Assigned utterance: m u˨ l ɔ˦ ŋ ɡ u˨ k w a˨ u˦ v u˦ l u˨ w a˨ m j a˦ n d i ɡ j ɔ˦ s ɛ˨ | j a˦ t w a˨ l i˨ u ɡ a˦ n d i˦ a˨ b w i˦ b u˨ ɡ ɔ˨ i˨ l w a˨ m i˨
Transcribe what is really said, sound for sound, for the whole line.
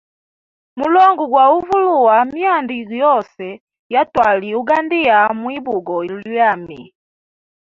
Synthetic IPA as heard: m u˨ l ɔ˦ ŋ ɡ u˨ ɡ w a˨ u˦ v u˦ l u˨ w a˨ m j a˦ n d i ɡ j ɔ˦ s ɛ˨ | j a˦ t w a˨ l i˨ u ɡ a˦ n d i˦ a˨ m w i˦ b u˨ ɡ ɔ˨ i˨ l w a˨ m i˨